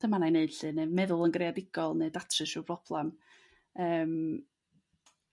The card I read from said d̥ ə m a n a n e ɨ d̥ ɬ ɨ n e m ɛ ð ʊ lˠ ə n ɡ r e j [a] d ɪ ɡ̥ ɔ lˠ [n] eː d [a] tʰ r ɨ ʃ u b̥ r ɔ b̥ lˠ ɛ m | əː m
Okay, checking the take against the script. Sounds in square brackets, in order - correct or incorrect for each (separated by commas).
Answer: correct, correct, correct